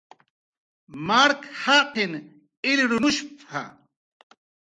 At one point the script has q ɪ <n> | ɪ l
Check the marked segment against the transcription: correct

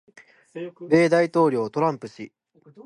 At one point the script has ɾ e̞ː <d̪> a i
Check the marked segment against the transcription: correct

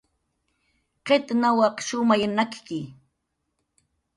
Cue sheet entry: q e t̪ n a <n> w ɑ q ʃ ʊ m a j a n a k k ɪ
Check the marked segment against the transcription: incorrect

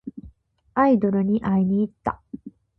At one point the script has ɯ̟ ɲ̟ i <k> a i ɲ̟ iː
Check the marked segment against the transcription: incorrect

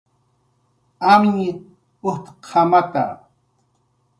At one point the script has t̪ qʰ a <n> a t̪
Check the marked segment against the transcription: incorrect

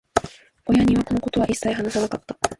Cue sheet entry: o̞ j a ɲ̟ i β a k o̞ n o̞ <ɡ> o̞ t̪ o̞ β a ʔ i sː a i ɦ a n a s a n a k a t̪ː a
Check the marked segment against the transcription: incorrect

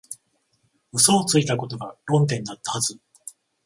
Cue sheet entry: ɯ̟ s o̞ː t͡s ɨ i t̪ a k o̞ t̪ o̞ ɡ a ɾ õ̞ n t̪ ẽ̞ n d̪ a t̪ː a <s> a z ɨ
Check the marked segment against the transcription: incorrect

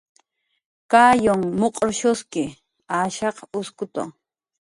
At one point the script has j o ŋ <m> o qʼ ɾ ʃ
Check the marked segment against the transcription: correct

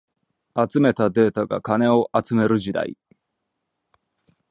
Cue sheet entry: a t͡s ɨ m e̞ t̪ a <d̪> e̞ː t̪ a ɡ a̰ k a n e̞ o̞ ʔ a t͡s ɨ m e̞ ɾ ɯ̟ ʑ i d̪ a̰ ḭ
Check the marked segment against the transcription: correct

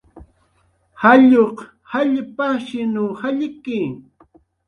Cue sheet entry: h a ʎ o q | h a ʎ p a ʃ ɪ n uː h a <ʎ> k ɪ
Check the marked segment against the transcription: correct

